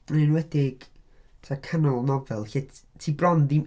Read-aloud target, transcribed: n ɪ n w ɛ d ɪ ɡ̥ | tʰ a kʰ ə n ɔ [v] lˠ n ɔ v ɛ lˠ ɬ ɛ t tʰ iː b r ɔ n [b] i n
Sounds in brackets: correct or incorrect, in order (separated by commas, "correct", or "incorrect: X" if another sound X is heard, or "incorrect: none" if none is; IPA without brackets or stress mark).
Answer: incorrect: none, incorrect: d